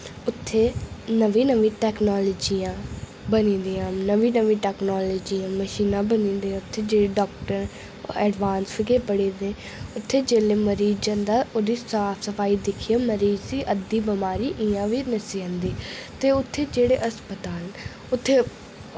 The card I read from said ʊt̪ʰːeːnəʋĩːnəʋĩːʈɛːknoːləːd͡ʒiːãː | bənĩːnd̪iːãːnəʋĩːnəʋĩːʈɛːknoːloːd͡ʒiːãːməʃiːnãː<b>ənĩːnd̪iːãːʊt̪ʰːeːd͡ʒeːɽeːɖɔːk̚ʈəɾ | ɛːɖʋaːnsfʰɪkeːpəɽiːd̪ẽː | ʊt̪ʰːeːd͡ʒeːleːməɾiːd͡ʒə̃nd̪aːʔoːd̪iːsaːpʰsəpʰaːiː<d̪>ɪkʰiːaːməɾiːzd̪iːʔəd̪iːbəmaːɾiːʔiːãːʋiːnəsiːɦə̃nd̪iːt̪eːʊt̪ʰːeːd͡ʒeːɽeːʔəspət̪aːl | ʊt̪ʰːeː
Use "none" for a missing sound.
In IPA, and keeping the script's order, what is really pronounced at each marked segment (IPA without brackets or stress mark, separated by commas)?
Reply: b, d̪